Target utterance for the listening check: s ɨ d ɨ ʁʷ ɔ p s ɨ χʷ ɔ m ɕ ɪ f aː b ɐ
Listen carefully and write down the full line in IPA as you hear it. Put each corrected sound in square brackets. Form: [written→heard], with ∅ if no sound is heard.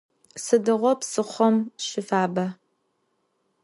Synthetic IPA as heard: s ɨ d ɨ ʁʷ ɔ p s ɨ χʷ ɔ m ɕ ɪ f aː b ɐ